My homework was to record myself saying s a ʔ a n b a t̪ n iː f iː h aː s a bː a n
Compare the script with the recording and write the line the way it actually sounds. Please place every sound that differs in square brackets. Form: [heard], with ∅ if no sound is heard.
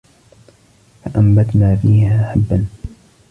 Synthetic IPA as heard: [f] a ʔ a [m] b a t̪ n [aː] f iː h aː [ħ] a bː a n